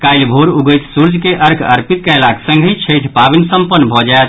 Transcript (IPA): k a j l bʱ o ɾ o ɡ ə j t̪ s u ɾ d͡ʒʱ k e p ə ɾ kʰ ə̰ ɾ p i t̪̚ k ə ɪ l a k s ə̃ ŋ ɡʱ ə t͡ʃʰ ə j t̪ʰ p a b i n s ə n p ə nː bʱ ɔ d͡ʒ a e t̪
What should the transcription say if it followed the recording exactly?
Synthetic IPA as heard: k a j l bʱ o ɾ u ɡ ə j t̪ s u ɾ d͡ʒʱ k e ʔ ə ɾ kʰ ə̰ ɾ p i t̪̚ k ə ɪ l a k s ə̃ ŋ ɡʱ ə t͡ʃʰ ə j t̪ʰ p a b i n s ə m p ə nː bʱ ɔ d͡ʒ a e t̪